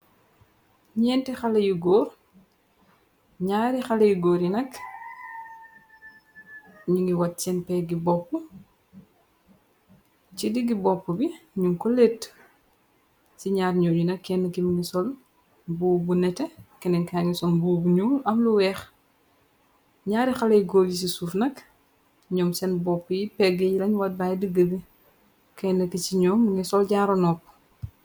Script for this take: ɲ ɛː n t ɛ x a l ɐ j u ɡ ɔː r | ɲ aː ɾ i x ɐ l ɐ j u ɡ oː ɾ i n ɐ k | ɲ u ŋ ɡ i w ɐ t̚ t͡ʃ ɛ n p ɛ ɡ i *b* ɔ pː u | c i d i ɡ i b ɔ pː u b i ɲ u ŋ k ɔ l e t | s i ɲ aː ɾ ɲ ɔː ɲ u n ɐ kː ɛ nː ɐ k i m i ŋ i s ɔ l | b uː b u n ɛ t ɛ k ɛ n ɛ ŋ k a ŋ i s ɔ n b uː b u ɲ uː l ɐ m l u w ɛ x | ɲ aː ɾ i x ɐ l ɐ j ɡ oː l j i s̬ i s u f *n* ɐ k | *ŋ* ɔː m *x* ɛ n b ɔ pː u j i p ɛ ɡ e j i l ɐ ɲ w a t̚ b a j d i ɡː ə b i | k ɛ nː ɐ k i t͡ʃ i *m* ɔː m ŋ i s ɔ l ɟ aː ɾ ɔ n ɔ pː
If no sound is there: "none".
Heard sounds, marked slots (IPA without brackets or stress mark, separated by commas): b, n, ɲ, s, ɲ